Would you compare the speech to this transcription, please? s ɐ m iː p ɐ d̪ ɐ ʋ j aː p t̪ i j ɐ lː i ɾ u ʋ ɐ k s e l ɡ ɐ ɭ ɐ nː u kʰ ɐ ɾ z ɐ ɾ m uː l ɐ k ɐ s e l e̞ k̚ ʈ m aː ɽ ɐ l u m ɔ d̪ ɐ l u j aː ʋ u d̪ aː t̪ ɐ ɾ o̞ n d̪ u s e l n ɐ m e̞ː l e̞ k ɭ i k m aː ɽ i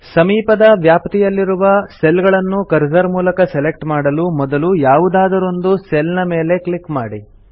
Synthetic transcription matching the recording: s ɐ m iː p ɐ d̪ ɐ ʋ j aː p t̪ i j ɐ lː i ɾ u ʋ ɐ s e l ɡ ɐ ɭ ɐ nː u k ɐ ɾ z ɐ ɾ m uː l ɐ k ɐ s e l e̞ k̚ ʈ m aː ɽ ɐ l u m ɔ d̪ ɐ l u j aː ʋ u d̪ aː d̪ ɐ ɾ o̞ n d̪ u s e l n ɐ m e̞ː l e̞ k ɭ i k m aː ɽ i